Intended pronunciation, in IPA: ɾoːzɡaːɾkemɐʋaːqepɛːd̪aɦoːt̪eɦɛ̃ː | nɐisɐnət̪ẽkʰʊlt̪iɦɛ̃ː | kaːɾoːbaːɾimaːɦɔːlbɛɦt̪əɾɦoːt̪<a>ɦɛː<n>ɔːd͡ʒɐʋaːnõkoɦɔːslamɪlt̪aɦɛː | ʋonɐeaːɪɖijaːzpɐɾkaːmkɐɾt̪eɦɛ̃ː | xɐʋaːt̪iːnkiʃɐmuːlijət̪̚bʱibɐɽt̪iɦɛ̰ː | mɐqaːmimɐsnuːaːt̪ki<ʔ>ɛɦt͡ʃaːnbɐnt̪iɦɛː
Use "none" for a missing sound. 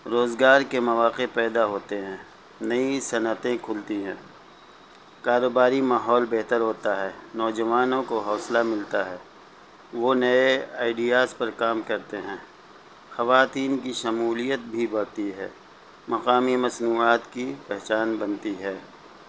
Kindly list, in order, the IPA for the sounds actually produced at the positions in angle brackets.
a, n, p

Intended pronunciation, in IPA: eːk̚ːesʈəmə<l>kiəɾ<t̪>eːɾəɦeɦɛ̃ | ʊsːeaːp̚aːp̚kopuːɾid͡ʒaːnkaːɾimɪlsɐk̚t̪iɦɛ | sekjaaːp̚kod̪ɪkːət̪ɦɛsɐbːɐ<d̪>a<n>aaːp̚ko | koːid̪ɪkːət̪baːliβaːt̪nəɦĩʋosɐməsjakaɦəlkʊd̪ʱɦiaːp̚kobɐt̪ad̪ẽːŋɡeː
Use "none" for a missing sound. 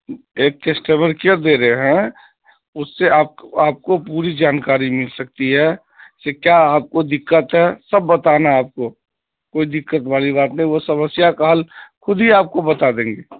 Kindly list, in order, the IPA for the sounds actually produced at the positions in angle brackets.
ɾ, d̪, t̪, n

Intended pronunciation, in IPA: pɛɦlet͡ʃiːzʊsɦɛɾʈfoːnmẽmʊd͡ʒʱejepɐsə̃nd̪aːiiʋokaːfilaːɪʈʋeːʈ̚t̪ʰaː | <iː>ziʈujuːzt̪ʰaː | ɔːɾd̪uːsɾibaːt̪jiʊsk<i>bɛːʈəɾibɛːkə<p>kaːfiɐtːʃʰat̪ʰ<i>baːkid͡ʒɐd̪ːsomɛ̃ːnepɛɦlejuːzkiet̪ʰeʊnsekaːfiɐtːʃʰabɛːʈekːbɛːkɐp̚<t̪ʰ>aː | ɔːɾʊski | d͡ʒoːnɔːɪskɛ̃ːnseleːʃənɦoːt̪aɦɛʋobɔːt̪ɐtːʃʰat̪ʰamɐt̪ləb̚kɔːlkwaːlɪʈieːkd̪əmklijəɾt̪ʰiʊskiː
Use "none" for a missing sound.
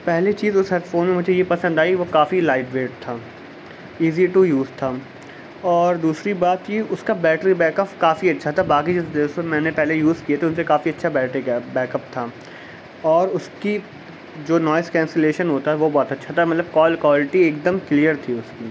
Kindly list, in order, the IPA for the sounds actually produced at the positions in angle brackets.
iː, a, p, a, t̪ʰ

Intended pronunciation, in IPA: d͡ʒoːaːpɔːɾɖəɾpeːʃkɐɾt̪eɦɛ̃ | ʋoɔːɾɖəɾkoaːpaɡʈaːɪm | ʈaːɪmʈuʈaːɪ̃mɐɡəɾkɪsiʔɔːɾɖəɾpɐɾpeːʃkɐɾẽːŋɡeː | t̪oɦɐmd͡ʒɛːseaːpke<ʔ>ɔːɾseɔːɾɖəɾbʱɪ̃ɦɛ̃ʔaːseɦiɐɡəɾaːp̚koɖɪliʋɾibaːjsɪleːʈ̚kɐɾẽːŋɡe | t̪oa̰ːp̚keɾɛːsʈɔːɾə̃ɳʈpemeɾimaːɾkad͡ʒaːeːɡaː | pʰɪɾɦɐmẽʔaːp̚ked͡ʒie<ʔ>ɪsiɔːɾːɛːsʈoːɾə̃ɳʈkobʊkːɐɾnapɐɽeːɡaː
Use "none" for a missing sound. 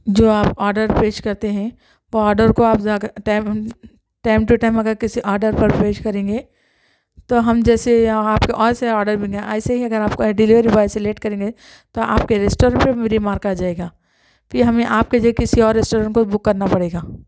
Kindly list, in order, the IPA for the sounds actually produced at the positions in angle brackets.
ʔ, k

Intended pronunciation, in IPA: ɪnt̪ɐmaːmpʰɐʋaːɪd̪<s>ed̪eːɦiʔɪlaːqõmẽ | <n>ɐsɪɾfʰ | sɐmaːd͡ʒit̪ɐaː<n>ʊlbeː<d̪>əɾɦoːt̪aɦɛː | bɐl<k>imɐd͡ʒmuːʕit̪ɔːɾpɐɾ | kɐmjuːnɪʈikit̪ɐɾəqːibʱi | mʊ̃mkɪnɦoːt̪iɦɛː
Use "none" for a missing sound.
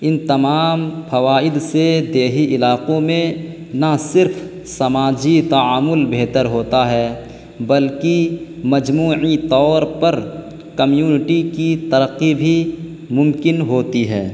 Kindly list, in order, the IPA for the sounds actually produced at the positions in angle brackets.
s, n, m, t̪, k

